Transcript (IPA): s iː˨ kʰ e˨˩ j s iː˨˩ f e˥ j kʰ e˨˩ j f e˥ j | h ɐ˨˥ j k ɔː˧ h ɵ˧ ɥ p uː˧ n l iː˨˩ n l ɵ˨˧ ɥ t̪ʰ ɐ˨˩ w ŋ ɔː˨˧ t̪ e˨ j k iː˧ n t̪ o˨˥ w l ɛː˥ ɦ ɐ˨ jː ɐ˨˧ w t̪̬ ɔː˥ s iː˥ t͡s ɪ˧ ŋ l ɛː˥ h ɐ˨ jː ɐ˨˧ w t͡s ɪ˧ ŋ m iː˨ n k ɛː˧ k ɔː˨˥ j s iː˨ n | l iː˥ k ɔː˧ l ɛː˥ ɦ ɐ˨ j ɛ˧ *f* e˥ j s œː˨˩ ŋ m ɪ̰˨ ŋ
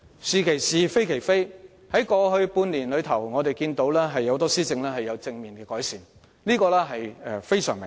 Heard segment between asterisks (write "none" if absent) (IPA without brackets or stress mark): f